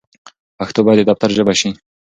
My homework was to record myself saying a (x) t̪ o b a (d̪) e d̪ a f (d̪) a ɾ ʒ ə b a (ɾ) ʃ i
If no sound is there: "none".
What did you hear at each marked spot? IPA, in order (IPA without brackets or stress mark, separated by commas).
x, d̪, t̪, none